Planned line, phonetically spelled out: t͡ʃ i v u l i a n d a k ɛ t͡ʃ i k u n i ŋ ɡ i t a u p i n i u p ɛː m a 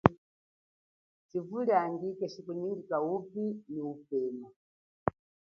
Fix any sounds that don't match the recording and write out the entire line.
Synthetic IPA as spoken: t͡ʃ i v u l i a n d i k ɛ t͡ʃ i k u n i ŋ ɡ i k a u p i n i u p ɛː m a